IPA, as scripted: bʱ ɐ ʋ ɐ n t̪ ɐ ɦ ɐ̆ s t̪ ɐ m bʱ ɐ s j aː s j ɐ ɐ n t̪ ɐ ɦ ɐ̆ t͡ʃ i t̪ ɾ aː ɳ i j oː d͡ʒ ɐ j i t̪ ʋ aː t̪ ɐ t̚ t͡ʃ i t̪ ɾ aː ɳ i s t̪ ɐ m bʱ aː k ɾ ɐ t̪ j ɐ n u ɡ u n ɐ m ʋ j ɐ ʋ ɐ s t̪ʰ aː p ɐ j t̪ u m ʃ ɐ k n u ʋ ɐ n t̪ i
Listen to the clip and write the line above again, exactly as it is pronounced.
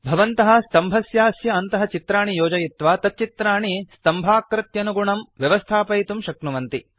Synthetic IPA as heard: bʱ ɐ ʋ ɐ n t̪ ɐ ɦ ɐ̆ s t̪ ɐ m bʱ ɐ s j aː s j ɐ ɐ n t̪ ɐ ɦ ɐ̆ t͡ʃ i t̪ ɾ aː ɳ i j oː d͡ʒ ɐ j i t̪ ʋ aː t̪ ɐ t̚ t͡ʃ i t̪ ɾ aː ɳ i s t̪ ɐ m bʱ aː k ɾ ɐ t̪ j ɐ n u ɡ u ɳ ɐ m ʋ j ɐ ʋ ɐ s t̪ʰ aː p ɐ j t̪ u m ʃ ɐ k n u ʋ ɐ n t̪ i